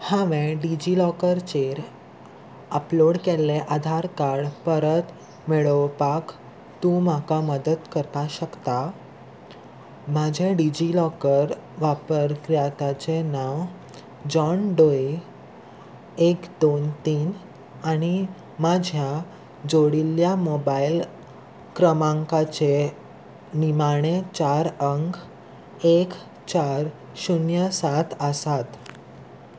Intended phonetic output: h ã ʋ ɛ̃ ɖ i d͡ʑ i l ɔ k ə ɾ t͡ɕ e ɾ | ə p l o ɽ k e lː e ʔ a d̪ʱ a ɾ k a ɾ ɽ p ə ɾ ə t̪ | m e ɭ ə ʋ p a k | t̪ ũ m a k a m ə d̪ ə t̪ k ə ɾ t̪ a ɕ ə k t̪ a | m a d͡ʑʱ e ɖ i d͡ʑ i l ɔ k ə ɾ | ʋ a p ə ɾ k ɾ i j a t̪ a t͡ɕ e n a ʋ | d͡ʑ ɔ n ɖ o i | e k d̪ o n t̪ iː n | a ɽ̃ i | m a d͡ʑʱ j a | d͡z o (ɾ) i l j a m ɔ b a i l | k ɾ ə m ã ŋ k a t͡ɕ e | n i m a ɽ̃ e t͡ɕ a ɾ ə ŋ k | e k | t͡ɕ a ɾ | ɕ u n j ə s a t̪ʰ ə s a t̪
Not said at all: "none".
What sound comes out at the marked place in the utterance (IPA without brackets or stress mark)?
ɽ